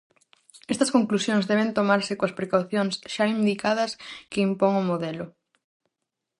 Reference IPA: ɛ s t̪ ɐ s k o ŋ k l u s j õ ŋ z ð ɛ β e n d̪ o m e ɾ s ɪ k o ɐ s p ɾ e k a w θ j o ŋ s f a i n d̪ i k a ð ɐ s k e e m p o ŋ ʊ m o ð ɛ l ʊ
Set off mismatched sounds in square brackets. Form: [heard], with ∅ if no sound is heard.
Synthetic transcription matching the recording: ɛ s t̪ ɐ s k o ŋ k l u s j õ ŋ z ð ɛ β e n [t̪] o m [a] ɾ s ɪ k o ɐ s p ɾ e k a w θ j o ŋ s [ʃ] a i n d̪ i k a ð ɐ s k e [i] m p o ŋ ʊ m o ð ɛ l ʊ